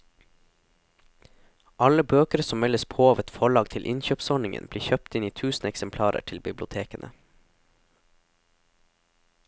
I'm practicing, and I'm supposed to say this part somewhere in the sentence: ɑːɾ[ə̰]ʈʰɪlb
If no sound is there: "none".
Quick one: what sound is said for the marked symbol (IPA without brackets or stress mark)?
ə̰